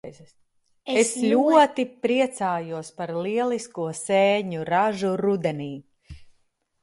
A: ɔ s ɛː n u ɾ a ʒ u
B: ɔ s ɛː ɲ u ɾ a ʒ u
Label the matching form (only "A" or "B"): B